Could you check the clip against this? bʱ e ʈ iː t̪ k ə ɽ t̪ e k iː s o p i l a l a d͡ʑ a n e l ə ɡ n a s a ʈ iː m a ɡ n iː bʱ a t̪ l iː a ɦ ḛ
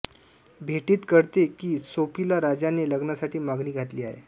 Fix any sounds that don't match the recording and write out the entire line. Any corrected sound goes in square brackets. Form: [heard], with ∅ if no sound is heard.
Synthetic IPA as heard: bʱ e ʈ iː t̪ k ə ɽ t̪ e k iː s o p i l a [ɾ] a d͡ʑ a n e l ə ɡ n a s a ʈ iː m a ɡ n iː [ɡʱ] a t̪ l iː a ɦ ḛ